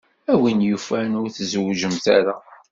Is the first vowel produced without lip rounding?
yes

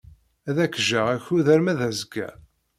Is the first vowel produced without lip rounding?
yes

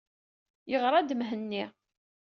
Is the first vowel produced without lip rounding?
yes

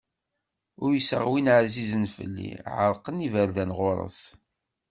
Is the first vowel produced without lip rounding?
no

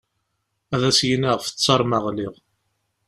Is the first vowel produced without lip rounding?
yes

